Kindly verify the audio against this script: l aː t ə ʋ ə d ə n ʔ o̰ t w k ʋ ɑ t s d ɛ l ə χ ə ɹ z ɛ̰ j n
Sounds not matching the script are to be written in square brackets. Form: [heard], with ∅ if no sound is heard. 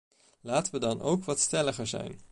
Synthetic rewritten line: l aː t ə ʋ ə d [ɑ] n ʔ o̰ [∅] w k ʋ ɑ t s [t] ɛ l ə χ ə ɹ z ɛ̰ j n